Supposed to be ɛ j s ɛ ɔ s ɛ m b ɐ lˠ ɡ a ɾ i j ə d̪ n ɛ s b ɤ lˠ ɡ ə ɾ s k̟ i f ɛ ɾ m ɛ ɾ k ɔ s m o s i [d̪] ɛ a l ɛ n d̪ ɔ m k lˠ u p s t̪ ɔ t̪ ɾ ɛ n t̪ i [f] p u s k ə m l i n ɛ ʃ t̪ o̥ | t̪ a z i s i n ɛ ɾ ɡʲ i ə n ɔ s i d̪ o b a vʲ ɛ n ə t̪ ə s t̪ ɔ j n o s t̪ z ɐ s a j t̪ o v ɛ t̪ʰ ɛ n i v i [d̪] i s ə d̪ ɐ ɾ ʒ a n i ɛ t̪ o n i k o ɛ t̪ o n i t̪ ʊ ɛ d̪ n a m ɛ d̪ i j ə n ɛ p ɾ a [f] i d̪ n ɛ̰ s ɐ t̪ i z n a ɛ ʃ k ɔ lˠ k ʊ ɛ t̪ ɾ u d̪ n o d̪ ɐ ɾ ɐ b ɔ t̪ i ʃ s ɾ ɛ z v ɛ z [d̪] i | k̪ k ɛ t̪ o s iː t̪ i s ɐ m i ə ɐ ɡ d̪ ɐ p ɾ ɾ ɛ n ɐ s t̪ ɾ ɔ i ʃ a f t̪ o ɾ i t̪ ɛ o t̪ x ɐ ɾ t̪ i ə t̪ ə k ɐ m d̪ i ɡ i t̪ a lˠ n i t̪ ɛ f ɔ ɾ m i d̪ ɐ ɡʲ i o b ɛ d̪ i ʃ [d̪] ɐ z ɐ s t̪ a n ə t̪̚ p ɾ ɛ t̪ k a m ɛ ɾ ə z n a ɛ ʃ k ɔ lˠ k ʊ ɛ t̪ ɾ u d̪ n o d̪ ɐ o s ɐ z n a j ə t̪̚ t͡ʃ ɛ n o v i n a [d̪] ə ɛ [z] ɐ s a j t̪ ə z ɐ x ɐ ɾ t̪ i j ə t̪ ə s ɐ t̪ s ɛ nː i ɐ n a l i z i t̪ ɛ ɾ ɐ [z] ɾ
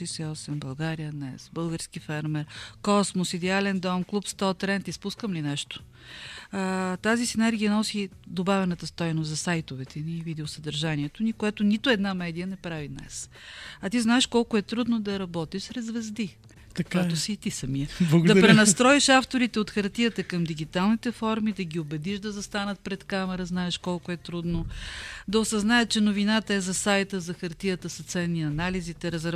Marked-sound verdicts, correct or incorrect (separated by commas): correct, incorrect, correct, incorrect, correct, correct, incorrect, correct, correct